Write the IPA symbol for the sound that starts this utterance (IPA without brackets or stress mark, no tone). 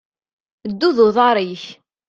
d̪ː